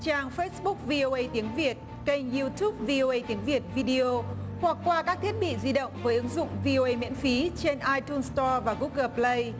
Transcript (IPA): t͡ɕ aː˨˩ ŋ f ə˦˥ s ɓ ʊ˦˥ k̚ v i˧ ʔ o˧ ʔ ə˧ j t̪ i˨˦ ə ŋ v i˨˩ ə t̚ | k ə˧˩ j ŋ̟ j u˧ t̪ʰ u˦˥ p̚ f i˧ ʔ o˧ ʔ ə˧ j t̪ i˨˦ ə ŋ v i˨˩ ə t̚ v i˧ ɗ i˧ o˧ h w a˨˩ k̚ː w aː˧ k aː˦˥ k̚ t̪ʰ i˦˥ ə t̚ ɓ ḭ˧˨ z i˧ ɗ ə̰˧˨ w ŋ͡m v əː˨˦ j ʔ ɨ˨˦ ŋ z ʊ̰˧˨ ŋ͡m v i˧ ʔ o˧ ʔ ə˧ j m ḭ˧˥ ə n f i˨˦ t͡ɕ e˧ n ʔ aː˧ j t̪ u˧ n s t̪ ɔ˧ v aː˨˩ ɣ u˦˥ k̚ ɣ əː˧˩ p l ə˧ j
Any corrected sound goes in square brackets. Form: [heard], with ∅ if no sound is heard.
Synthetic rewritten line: t͡ɕ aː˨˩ ŋ f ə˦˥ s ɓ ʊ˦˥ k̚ v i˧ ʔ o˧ ʔ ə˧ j t̪ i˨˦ ə ŋ v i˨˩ ə t̚ | k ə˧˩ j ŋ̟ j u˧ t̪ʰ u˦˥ p̚ [v] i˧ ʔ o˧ ʔ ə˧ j t̪ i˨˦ ə ŋ v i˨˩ ə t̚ v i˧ ɗ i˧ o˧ h w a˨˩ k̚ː w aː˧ k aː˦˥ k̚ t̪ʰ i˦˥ ə t̚ ɓ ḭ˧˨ z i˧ ɗ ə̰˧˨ w ŋ͡m v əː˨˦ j ʔ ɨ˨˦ ŋ z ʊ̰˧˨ ŋ͡m v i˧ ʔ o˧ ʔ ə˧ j m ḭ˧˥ ə n f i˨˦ t͡ɕ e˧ n ʔ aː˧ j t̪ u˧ n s t̪ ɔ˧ v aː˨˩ ɣ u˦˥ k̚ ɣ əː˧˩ p l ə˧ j